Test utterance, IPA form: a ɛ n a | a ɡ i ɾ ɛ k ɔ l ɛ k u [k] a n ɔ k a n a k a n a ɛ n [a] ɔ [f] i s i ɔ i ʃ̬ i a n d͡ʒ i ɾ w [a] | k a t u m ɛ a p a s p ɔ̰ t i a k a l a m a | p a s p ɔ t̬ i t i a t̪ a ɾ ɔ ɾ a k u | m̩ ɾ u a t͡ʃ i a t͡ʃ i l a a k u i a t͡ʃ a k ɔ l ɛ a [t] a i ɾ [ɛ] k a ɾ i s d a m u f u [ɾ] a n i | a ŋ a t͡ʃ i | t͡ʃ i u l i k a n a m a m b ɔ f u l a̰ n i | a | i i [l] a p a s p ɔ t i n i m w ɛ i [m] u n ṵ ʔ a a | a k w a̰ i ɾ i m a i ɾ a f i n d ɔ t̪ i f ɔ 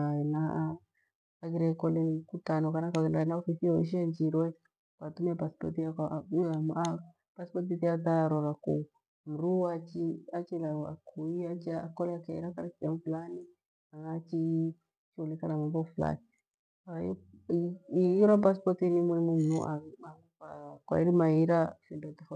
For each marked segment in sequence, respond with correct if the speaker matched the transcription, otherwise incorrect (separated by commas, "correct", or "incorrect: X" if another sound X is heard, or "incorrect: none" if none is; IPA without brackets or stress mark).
incorrect: t, correct, correct, incorrect: ɛ, incorrect: k, incorrect: a, incorrect: l, incorrect: ɾ, correct